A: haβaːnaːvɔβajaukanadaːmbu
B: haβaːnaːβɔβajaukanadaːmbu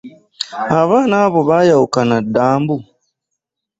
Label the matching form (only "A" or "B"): B